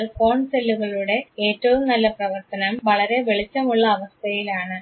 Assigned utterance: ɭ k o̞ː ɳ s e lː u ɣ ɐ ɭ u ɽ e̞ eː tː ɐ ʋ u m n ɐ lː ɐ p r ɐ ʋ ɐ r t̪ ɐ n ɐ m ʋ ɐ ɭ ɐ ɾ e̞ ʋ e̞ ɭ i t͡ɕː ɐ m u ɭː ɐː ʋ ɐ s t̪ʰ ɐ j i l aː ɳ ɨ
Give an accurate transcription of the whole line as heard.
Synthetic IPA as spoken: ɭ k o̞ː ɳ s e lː u ɣ ɐ ɭ u ɽ e̞ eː tː ɐ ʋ u m n ɐ lː ɐ p r ɐ ʋ ɐ r t̪ ɐ n ɐ m ʋ ɐ ɭ ɐ ɾ e̞ ʋ e̞ ɭ i t͡ɕː ɐ m u ɭː ɐː ʋ ɐ s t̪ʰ ɐ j i l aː ɳ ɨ